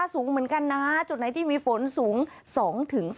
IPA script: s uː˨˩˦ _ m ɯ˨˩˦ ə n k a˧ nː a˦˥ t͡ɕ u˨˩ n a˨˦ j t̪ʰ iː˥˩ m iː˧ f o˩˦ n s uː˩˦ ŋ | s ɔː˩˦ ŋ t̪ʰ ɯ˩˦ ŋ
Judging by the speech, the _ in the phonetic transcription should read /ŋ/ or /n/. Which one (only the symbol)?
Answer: ŋ